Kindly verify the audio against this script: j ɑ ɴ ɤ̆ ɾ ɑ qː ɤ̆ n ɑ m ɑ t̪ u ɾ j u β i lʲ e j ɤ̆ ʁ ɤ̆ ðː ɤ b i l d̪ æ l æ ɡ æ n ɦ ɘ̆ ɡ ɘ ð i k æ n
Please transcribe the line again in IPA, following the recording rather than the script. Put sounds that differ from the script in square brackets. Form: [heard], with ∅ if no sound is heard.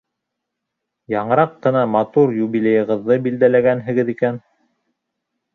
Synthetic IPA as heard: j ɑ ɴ ɤ̆ ɾ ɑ qː ɤ̆ n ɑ m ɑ t̪ u ɾ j u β i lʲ e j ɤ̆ ʁ ɤ̆ ðː ɤ b i l d̪ æ l æ ɡ æ n ɦ ɘ̆ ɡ ɘ ð i k æ n